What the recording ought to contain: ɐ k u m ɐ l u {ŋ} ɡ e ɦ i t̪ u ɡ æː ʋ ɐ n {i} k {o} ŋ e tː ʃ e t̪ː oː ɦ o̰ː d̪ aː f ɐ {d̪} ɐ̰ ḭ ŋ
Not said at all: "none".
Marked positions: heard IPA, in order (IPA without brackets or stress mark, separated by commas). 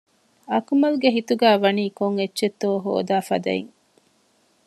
none, iː, o, d̪